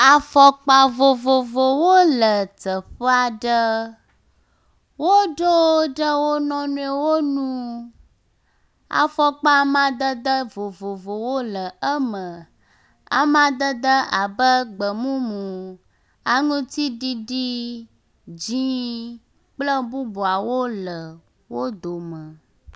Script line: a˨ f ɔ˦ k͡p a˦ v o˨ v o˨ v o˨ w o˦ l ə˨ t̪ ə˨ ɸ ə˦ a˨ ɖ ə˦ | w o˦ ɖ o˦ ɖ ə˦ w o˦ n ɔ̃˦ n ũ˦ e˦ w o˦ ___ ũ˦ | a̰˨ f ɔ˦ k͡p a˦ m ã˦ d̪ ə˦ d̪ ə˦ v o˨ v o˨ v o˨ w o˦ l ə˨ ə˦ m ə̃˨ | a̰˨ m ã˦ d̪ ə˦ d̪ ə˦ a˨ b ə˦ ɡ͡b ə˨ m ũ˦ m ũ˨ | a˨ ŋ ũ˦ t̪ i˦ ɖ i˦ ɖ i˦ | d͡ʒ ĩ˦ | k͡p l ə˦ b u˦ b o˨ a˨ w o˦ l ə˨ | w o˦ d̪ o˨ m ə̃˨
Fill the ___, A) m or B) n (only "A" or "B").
B